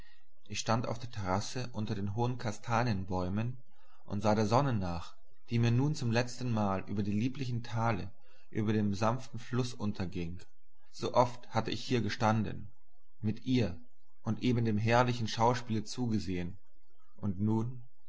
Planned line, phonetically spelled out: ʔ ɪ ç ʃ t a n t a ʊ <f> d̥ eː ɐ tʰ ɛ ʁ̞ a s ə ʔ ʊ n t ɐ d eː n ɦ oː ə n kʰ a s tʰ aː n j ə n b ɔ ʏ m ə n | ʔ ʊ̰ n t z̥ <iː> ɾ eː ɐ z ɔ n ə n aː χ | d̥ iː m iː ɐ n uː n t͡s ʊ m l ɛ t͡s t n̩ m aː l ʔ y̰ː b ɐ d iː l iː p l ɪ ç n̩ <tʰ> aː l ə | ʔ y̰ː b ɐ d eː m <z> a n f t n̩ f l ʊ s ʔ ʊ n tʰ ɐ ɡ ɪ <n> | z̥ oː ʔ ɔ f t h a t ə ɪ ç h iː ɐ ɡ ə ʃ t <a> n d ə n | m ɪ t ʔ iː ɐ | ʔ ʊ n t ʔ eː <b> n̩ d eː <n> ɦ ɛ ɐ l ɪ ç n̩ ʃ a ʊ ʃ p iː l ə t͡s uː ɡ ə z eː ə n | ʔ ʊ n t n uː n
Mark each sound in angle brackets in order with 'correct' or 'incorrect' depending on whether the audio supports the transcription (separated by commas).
correct, incorrect, correct, correct, incorrect, correct, correct, incorrect